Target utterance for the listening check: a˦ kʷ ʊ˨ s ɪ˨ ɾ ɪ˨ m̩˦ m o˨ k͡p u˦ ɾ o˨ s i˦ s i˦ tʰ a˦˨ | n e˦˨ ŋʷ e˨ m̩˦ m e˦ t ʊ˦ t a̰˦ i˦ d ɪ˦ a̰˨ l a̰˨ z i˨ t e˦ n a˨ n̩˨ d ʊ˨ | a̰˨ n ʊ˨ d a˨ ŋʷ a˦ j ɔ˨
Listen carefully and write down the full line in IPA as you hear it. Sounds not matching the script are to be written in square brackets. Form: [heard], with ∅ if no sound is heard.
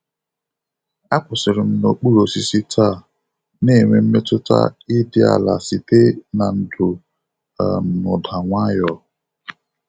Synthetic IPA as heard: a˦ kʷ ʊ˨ s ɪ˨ ɾ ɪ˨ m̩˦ [n] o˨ k͡p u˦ ɾ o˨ s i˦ s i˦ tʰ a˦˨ | n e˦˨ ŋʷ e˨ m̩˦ m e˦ t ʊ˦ t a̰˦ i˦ d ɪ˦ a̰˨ l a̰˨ [s] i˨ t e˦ n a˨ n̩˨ d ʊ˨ | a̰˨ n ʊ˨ d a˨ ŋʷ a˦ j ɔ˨